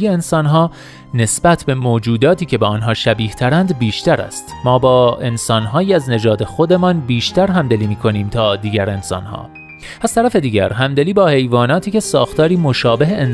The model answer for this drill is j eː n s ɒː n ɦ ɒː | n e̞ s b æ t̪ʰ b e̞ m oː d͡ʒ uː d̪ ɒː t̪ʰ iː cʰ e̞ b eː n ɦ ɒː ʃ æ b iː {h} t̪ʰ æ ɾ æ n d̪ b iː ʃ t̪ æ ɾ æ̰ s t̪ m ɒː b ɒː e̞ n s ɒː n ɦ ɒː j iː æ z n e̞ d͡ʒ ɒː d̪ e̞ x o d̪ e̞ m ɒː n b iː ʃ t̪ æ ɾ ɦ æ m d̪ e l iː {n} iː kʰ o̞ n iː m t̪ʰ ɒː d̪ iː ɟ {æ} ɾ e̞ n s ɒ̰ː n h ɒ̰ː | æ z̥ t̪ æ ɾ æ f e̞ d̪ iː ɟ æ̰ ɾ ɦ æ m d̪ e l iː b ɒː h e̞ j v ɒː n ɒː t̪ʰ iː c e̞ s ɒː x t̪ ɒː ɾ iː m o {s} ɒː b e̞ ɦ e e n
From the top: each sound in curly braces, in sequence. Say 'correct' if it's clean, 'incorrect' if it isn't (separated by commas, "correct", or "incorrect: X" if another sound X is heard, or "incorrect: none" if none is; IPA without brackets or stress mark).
correct, incorrect: m, correct, incorrect: ʃ